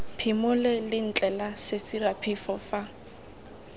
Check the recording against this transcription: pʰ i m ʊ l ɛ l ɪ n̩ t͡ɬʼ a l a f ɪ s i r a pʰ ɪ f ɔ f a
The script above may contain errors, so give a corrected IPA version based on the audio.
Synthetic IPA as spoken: pʰ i m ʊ l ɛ l ɪ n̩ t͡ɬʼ ɛ l a s ɪ s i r a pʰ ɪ f ɔ f a